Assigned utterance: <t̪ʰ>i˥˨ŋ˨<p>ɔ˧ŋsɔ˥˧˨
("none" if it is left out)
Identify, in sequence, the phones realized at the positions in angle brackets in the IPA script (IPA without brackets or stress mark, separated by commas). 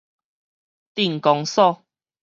t̪, k